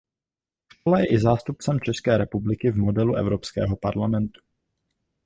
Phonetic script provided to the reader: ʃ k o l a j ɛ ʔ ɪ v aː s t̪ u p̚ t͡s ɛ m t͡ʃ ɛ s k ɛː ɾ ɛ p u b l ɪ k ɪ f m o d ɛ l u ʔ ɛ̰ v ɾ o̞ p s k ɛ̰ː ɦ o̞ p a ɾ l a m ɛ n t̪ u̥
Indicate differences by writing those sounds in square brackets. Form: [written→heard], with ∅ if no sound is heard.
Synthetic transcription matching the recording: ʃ k o l a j ɛ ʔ ɪ [v→z] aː s t̪ u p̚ t͡s ɛ m t͡ʃ ɛ s k ɛː ɾ ɛ p u b l ɪ k ɪ [f→v] m o d ɛ l u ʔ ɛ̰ v ɾ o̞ p s k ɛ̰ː ɦ o̞ p a ɾ l a m ɛ n t̪ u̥